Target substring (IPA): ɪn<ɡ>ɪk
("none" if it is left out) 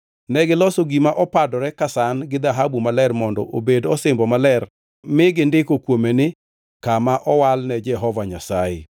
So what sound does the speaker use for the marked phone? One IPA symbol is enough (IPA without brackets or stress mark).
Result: d